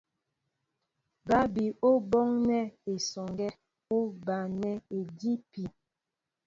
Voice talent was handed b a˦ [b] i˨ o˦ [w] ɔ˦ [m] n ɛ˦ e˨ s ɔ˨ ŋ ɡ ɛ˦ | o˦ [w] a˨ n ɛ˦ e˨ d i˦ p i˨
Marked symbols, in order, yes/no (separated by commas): yes, no, no, no